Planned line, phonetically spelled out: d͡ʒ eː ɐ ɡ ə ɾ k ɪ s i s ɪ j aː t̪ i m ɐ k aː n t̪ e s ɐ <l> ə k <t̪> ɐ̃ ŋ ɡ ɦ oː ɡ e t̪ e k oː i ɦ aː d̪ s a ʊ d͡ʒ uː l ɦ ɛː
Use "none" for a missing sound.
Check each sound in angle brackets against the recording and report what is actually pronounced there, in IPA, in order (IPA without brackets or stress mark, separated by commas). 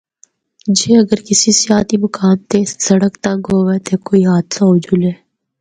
ɽ, t̪